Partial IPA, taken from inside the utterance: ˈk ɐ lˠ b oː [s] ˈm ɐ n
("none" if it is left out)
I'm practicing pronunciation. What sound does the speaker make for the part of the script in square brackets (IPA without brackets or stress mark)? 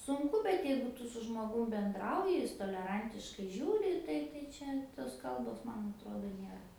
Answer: s